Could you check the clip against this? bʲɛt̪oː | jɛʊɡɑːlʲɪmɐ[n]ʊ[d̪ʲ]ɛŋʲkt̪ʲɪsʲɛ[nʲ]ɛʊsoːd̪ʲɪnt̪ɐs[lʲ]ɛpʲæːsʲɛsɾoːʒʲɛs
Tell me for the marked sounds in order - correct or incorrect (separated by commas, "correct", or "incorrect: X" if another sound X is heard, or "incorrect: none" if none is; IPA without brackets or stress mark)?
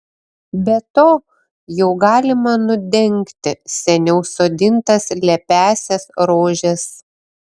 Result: correct, correct, correct, correct